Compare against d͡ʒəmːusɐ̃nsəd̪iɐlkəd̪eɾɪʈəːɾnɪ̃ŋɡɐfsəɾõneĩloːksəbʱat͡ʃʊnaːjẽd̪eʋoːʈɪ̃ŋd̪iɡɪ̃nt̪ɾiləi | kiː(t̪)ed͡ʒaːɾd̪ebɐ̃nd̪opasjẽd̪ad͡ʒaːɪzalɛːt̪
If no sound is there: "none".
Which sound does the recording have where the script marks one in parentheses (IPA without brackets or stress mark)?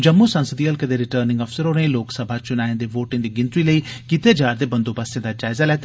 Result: t̪